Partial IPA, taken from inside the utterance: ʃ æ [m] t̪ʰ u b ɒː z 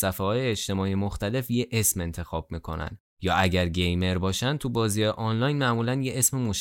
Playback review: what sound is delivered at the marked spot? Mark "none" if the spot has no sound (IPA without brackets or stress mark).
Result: n